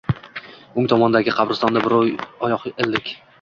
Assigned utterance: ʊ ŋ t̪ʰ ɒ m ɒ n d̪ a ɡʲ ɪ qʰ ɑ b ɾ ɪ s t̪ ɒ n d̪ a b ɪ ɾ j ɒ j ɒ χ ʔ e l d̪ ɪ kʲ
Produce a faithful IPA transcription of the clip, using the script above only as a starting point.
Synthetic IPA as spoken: ʊ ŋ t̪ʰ ɒ m ɒ n d̪ a ɡʲ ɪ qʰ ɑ b ɾ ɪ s t̪ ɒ n d̪ a b ɪ ɾ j ɒ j ɒ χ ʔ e l d̪ ɪ kʲ